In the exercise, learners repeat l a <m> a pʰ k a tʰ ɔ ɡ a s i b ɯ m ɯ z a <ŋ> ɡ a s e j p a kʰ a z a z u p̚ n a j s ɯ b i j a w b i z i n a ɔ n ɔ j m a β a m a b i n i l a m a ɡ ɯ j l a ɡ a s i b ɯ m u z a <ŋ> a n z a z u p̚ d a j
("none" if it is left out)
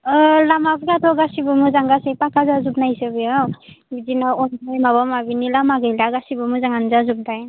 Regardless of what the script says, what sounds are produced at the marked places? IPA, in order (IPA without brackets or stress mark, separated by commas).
m, ŋ, ŋ